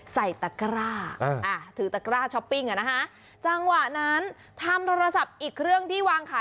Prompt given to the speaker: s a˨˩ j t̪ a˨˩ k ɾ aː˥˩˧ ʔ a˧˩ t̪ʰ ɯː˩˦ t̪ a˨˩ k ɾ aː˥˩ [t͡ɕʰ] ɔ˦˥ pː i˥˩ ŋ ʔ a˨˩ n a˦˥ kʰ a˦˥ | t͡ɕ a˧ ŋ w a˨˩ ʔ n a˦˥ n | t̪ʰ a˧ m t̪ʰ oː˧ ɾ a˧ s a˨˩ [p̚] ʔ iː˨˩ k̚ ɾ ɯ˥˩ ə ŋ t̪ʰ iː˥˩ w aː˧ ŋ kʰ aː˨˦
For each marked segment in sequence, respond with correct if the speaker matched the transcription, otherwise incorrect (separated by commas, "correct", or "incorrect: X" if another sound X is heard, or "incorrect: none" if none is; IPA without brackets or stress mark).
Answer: correct, correct